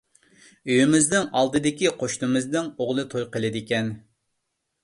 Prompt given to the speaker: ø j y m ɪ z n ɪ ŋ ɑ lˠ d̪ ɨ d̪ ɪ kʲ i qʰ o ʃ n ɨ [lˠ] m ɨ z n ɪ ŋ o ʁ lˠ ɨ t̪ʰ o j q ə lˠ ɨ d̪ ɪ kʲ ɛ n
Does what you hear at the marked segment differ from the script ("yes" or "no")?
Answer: yes